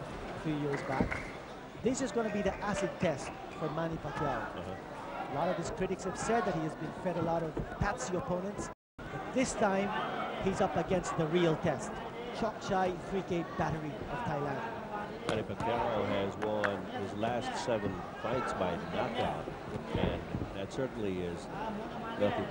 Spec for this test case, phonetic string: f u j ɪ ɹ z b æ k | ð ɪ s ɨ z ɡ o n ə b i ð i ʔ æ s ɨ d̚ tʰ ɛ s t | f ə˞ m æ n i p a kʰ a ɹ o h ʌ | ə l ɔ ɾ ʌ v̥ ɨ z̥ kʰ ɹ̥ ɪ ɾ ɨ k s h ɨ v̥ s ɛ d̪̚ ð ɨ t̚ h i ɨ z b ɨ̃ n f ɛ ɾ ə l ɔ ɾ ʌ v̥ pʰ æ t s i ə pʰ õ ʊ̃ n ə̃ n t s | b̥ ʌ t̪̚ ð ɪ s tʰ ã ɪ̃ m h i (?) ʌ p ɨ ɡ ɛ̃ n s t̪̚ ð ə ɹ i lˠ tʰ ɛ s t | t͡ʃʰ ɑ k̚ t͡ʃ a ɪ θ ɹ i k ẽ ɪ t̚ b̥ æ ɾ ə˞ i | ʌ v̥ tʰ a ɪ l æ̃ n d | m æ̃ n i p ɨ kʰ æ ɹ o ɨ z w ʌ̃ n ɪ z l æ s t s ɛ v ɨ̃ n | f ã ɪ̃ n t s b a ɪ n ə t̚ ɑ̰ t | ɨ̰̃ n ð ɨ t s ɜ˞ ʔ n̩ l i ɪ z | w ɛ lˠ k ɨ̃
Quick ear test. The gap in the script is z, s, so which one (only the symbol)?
z